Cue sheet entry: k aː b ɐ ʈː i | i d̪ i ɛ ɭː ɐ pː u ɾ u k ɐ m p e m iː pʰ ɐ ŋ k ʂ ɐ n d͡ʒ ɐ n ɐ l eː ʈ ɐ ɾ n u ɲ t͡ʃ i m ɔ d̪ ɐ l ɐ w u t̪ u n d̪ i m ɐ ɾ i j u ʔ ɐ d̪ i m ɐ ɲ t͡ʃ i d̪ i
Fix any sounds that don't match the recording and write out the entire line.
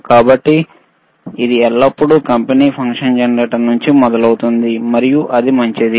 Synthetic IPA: k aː b ɐ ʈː i | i d̪ i ɛ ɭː ɐ pː u ɽ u k ɐ m p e n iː pʰ ɐ ŋ k ʂ ɐ n d͡ʒ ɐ n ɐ ɾ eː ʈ ɐ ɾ n u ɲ t͡ʃ i m ɔ d̪ ɐ l ɐ w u t̪ u n d̪ i m ɐ ɾ i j u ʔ ɐ d̪ i m ɐ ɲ t͡ʃ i d̪ i